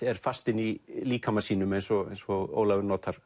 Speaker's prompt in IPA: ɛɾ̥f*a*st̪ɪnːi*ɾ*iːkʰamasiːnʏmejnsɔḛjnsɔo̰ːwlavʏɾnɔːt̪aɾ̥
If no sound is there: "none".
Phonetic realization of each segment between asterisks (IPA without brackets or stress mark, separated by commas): a, l